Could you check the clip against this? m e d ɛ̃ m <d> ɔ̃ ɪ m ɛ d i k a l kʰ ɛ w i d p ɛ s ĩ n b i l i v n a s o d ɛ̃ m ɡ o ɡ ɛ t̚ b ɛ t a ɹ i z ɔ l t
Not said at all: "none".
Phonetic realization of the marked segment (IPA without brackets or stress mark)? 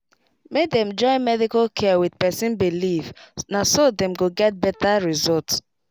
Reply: d͡ʒ